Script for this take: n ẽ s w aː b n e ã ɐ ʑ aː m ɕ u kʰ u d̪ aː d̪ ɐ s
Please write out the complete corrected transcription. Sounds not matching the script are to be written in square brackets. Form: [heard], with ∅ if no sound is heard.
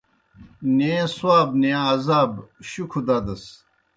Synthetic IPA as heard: n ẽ s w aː b n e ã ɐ [z] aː [b] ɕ u kʰ u d̪ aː d̪ ɐ s